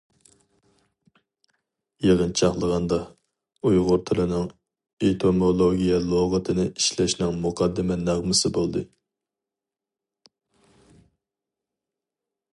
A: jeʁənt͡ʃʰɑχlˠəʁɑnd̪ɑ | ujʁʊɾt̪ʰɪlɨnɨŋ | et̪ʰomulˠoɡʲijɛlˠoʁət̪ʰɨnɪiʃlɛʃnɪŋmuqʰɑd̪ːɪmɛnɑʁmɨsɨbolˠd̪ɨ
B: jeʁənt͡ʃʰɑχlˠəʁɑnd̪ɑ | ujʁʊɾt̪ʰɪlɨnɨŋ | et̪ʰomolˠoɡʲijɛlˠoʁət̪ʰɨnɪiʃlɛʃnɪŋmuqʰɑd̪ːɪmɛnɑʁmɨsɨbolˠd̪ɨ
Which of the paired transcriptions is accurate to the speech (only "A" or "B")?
B